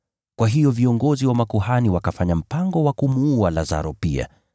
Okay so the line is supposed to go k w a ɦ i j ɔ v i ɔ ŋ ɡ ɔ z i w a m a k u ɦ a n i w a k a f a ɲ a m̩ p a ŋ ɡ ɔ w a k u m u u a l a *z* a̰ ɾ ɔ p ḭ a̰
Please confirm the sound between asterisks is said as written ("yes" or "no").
yes